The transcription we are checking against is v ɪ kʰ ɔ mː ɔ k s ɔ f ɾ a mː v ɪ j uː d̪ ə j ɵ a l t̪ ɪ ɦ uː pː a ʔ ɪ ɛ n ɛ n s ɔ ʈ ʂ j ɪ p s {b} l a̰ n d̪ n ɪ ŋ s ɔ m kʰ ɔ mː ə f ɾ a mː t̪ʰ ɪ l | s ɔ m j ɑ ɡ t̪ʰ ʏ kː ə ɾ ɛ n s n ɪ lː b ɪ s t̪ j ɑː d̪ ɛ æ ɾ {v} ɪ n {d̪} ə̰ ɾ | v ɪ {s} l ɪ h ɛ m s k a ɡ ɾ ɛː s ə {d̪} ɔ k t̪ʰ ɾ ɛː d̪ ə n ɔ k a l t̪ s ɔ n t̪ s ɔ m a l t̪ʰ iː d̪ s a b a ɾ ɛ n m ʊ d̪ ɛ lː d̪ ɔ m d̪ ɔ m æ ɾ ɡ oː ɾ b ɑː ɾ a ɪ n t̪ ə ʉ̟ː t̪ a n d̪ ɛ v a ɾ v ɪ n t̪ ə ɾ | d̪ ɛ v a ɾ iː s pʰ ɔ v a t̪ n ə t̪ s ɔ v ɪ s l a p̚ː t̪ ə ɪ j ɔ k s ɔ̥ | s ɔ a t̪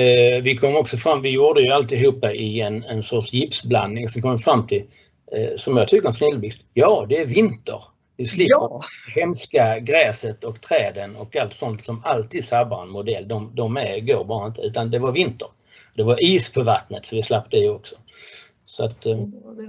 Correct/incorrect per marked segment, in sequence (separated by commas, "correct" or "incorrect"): correct, correct, incorrect, correct, incorrect